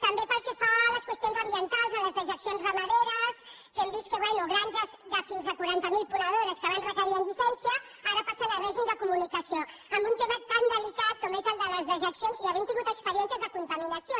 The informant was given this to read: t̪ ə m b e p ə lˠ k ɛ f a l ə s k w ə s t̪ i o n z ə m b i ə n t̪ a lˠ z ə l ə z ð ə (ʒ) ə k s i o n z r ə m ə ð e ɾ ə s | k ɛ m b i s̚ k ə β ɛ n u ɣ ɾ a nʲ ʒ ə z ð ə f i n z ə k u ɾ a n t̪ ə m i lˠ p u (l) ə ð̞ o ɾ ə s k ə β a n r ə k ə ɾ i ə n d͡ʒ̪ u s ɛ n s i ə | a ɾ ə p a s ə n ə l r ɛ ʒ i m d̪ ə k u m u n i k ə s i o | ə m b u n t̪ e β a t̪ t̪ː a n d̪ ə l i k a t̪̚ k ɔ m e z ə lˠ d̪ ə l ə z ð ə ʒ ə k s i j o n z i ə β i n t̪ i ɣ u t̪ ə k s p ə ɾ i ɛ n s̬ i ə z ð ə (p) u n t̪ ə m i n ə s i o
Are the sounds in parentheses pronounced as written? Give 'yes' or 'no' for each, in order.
yes, no, no

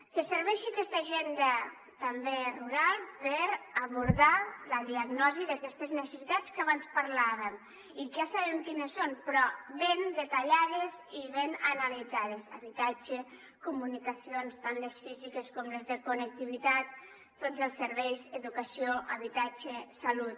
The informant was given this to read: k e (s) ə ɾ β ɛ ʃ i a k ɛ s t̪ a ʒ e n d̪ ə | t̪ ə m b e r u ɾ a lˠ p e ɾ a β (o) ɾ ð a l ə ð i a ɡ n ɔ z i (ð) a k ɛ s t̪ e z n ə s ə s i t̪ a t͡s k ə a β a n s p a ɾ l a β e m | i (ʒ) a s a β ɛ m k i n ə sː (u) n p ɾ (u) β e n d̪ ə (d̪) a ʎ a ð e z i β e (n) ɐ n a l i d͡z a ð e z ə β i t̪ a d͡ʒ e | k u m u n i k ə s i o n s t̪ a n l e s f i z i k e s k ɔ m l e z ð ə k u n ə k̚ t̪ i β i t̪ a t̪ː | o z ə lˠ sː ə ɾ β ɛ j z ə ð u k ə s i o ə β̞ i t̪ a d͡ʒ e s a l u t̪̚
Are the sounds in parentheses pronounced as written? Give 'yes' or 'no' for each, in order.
yes, no, yes, yes, no, no, no, yes

